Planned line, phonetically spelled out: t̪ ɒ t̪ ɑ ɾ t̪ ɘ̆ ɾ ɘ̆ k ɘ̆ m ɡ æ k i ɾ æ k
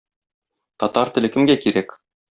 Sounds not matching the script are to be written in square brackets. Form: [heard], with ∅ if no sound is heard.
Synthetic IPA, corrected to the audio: t̪ ɒ t̪ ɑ ɾ t̪ ɘ̆ [l] ɘ̆ k ɘ̆ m ɡ æ k i ɾ æ k